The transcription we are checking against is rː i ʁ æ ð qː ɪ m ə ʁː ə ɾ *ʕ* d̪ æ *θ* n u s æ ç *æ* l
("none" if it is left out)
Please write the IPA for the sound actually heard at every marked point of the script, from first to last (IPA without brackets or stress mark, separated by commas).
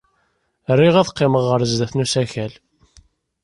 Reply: z, θ, æ